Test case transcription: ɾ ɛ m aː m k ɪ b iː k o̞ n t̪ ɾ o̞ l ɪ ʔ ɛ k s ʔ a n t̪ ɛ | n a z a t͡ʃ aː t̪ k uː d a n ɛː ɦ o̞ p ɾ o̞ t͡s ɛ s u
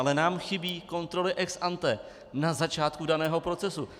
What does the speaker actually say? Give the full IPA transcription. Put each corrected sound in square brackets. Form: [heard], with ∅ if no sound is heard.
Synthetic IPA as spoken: [l] ɛ [n] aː m [x] ɪ b iː k o̞ n t̪ ɾ o̞ l ɪ ʔ ɛ k s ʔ a n t̪ ɛ | n a z a t͡ʃ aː t̪ k [u] d a n ɛː ɦ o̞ p ɾ o̞ t͡s ɛ s u